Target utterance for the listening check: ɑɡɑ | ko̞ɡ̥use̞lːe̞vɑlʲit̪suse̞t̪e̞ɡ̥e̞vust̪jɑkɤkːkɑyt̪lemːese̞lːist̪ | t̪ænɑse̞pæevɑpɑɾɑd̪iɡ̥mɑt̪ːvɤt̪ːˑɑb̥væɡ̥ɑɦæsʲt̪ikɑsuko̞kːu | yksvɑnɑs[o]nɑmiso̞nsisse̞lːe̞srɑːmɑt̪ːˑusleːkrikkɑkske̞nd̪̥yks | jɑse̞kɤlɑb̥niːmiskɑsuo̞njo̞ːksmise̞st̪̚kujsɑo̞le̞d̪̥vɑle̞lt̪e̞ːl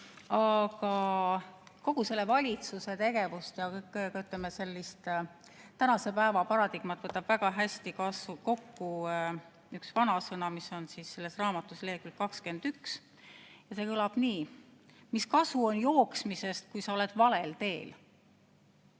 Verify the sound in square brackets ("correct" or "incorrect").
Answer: incorrect